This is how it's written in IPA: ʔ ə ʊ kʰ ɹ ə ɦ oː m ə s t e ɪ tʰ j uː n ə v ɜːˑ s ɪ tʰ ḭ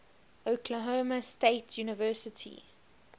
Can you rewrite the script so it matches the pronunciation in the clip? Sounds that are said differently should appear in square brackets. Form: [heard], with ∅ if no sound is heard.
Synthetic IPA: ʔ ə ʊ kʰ [l] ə ɦ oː m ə s t e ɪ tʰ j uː n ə v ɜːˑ s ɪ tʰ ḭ